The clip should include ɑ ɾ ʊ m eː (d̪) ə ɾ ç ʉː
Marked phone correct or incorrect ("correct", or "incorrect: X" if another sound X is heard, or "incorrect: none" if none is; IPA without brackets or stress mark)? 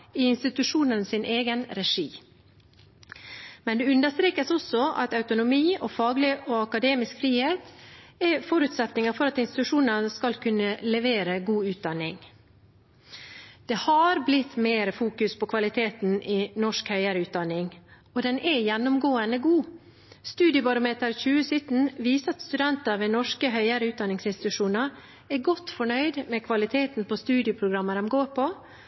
incorrect: t̪